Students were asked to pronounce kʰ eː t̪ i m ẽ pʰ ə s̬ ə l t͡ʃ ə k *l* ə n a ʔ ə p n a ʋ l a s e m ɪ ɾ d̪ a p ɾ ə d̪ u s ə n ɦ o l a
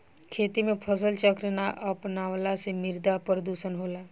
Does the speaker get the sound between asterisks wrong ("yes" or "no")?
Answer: yes